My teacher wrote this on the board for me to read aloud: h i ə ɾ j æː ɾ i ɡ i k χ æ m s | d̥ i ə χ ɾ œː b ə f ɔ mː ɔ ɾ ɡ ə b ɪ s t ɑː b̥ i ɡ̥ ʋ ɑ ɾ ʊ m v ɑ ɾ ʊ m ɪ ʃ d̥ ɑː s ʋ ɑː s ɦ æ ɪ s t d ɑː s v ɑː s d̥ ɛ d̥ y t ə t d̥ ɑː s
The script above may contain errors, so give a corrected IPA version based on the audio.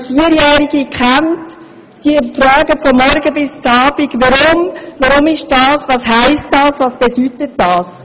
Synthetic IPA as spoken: f i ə ɾ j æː ɾ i ɡ i k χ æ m t | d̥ i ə f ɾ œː ɡ ə f ɔ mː ɔ ɾ ɡ ə b ɪ s t͡s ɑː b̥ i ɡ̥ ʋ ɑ ɾ ʊ m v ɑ ɾ ʊ m ɪ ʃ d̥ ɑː s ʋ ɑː s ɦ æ ɪ s t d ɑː s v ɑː s b̥ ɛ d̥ y t ə t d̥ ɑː s